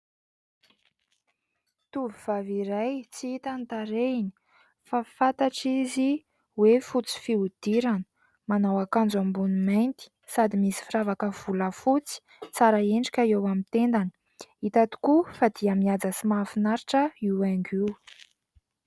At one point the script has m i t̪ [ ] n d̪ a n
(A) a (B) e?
B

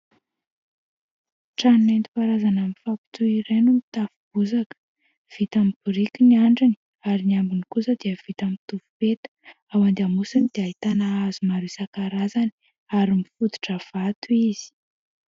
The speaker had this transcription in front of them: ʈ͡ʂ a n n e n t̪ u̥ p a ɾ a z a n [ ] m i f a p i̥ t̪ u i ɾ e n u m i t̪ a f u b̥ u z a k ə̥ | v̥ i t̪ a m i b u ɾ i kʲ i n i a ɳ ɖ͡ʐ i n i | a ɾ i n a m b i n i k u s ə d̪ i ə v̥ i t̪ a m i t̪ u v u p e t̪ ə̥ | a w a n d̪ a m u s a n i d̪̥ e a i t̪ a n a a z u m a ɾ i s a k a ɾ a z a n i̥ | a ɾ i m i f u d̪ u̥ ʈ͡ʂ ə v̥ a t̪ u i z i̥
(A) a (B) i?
A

